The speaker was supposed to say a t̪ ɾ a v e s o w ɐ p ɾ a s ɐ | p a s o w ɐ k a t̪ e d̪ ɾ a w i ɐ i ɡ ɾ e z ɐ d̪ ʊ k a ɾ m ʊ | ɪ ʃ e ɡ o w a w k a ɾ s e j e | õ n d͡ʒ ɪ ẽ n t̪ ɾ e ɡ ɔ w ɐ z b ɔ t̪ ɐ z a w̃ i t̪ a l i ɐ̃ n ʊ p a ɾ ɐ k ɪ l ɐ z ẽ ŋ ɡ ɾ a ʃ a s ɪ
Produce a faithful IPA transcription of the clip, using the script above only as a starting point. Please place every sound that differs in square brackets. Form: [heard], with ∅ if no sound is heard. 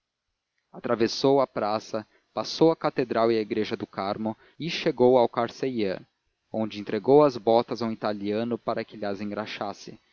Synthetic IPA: a t̪ ɾ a v e s o w ɐ p ɾ a s ɐ | p a s o w ɐ k a t̪ e d̪ ɾ a w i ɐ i ɡ ɾ e [ʒ] ɐ d̪ ʊ k a ɾ m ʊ | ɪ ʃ e ɡ o w a w k a ɾ s e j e | õ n d͡ʒ ɪ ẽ n t̪ ɾ e ɡ [o] w ɐ z b ɔ t̪ ɐ z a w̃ i t̪ a l i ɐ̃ n ʊ p a ɾ ɐ k ɪ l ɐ z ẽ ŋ ɡ ɾ a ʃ a s ɪ